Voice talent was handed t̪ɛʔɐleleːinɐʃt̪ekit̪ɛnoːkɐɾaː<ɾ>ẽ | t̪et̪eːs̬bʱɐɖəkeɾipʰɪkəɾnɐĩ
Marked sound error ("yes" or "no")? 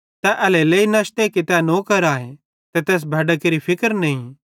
yes